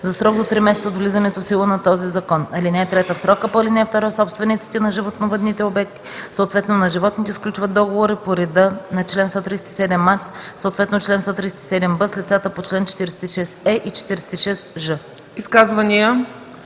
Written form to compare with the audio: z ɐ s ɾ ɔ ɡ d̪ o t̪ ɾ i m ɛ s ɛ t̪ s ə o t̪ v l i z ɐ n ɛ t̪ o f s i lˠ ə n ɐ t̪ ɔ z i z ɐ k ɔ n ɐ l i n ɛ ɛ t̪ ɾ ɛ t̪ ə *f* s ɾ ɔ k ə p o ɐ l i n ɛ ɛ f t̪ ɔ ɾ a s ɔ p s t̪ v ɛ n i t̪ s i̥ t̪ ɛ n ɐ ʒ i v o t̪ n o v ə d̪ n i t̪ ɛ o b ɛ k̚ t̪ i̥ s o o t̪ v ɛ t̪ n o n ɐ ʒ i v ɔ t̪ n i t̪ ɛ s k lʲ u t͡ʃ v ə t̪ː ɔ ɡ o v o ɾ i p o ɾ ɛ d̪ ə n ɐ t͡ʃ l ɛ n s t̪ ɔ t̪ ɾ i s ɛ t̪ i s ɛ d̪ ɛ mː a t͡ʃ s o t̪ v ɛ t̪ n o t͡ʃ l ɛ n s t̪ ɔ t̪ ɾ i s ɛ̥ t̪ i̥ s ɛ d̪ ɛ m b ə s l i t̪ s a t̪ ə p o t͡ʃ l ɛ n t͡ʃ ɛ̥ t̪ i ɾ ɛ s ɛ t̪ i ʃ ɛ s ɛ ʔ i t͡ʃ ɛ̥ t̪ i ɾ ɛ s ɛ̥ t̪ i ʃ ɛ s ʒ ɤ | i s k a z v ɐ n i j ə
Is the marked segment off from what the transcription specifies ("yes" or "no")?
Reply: no